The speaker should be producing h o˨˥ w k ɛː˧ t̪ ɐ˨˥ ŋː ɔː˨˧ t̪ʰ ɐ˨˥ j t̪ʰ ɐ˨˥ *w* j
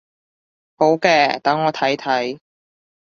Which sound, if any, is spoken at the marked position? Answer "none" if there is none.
none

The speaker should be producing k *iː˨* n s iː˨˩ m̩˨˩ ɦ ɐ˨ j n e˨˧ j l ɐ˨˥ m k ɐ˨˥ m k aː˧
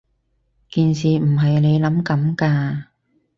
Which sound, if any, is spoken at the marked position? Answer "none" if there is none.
iː˨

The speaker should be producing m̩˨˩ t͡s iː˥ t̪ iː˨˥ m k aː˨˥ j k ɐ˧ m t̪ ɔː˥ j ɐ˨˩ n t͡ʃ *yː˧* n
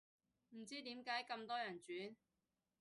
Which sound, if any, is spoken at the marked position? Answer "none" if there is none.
yː˨˥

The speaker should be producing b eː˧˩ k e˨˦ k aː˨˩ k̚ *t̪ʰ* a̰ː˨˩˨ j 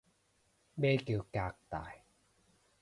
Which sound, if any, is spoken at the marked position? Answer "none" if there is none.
t̪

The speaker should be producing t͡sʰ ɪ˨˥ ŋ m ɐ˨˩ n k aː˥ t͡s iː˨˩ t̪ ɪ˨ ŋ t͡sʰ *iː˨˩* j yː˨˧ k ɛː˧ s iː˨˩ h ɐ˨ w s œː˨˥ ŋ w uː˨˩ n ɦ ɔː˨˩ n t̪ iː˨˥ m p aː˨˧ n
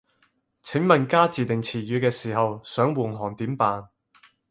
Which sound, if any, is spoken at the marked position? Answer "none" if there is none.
iː˨˩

